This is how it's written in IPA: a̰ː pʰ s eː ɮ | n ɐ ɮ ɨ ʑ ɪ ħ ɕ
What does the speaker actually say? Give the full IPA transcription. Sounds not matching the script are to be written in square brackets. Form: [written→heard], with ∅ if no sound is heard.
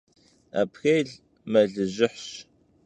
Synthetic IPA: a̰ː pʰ [s→x] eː ɮ | [n→m] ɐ ɮ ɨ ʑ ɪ ħ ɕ